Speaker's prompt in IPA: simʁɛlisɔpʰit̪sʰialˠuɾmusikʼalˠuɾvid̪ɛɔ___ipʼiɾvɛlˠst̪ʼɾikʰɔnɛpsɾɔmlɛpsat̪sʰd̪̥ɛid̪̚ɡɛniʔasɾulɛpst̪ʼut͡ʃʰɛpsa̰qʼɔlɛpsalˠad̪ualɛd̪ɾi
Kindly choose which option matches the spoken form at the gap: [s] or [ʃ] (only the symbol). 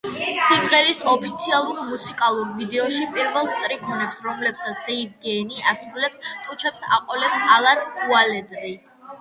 ʃ